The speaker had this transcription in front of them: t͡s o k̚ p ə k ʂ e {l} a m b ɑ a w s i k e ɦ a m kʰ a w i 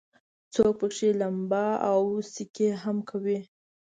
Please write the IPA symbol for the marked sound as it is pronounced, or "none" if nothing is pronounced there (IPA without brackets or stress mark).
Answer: l